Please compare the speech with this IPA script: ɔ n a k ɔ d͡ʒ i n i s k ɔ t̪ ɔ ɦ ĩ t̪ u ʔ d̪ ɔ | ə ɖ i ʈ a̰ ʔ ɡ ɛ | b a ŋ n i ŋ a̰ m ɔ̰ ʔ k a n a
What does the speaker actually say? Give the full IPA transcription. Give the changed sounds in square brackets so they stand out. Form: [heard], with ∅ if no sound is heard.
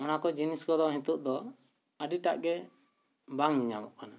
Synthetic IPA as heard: ɔ n a k ɔ d͡ʒ i n i s k ɔ [d̪] ɔ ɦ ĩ t̪ u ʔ d̪ ɔ | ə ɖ i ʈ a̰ ʔ ɡ ɛ | b a ŋ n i [ɲ] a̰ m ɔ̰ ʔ k a n a

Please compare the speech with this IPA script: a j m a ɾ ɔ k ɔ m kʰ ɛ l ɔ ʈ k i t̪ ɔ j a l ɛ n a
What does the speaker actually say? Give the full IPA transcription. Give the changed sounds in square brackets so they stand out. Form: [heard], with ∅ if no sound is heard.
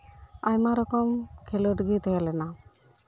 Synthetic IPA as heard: a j m a ɾ ɔ k ɔ m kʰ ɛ l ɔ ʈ [ɡ] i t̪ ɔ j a l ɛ n a

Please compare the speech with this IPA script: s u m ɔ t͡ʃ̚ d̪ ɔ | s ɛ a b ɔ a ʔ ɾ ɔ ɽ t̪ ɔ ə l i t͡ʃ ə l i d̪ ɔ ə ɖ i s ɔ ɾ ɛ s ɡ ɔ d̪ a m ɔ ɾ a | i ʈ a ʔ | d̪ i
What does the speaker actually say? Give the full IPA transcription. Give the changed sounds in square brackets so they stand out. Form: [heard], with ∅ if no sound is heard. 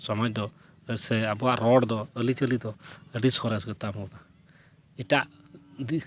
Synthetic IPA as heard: s [ɔ] m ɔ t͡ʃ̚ d̪ ɔ | s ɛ a b ɔ a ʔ ɾ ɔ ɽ [d̪] ɔ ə l i t͡ʃ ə l i d̪ ɔ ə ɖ i s ɔ ɾ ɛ s ɡ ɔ [t̪] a m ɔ [l] a | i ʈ a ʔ | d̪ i

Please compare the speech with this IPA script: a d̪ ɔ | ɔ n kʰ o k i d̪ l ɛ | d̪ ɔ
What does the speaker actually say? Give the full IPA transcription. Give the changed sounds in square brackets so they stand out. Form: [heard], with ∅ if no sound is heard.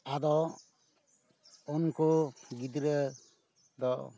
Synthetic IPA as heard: a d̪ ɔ | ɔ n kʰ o [ɡ] i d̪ [ɾ] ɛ | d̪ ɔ

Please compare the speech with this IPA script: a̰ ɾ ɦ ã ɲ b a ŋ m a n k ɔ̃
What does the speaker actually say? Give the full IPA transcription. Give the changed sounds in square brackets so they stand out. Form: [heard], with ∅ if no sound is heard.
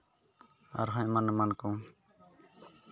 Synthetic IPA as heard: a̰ ɾ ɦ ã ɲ [m] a [n] m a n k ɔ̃

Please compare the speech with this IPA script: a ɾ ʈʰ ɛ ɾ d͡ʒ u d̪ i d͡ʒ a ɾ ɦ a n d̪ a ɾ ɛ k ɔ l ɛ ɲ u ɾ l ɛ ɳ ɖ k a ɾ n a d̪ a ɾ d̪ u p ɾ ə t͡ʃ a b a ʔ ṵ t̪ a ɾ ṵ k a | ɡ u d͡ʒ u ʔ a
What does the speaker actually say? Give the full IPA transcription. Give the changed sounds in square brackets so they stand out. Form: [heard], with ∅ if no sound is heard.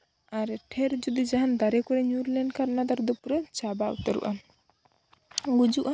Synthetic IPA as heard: a ɾ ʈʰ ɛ ɾ d͡ʒ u d̪ i d͡ʒ a [∅] ɦ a n d̪ a ɾ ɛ k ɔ [ɾ] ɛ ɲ u ɾ l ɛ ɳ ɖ k a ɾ n a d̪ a ɾ d̪ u p ɾ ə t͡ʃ a b a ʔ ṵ t̪ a ɾ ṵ [ʔ] a | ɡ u d͡ʒ u ʔ a

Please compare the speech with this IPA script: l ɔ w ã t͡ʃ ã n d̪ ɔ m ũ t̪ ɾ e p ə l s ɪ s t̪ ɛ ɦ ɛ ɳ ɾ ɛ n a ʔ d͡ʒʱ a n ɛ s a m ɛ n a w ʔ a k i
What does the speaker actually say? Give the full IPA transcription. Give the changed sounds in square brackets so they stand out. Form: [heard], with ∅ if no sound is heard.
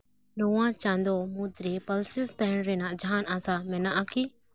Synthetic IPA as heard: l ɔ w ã t͡ʃ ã n d̪ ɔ m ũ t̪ ɾ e p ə l s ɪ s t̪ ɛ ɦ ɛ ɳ ɾ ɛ n a ʔ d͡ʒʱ a n [a] s a m ɛ n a [∅] ʔ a k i

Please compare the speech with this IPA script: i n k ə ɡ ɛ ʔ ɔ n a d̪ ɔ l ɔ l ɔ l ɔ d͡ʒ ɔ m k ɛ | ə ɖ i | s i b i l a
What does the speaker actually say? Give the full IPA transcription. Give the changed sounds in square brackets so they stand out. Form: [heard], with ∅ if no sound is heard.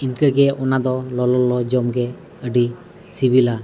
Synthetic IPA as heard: i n k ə ɡ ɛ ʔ ɔ n a d̪ ɔ l ɔ l ɔ l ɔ d͡ʒ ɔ m [ɡ] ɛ | ə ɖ i | s i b i l a

